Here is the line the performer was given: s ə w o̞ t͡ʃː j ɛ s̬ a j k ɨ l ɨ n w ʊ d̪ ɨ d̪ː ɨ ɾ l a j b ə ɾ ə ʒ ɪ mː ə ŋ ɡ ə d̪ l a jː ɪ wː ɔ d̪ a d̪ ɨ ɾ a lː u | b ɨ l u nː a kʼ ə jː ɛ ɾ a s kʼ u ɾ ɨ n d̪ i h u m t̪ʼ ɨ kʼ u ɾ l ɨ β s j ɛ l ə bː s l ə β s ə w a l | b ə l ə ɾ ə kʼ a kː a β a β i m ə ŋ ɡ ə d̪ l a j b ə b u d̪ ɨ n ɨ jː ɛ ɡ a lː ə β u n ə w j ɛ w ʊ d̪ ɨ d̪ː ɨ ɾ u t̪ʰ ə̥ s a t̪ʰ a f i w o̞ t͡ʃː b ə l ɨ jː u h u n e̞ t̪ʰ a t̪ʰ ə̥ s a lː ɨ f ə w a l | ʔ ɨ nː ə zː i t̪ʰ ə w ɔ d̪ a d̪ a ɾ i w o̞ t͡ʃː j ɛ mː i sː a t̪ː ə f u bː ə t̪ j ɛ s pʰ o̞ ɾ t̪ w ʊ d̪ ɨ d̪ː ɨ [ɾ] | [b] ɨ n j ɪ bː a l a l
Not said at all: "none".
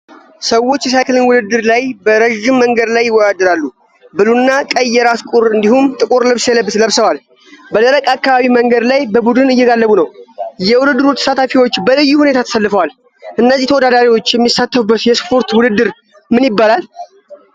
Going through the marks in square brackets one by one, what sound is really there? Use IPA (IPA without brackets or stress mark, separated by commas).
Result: ɾ, m